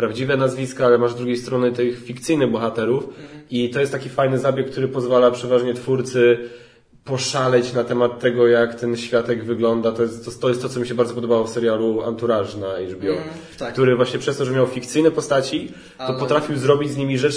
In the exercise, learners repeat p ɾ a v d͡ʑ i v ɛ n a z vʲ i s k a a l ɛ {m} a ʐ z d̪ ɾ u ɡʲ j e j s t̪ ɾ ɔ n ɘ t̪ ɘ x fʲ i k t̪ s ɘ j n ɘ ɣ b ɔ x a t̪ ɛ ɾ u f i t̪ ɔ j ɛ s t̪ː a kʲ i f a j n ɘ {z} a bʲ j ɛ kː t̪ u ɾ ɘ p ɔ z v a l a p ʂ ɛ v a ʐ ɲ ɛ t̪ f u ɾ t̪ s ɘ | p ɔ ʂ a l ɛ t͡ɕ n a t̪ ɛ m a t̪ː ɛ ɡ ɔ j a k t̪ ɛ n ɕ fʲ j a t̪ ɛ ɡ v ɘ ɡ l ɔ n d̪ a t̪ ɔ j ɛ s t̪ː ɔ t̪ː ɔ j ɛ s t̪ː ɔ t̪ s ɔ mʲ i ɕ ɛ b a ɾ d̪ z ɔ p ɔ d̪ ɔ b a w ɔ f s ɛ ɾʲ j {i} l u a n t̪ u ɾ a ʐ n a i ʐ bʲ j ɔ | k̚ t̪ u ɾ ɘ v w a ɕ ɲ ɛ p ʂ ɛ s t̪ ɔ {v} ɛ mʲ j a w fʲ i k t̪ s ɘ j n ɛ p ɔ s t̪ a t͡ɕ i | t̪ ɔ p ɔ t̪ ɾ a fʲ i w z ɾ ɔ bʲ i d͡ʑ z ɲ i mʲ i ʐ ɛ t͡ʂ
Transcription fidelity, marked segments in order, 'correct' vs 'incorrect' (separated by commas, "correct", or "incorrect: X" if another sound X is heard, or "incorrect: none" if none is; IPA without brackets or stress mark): correct, correct, incorrect: a, incorrect: ʐ